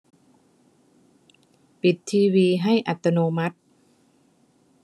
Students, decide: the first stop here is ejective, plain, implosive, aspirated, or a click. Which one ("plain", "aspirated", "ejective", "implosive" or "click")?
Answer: plain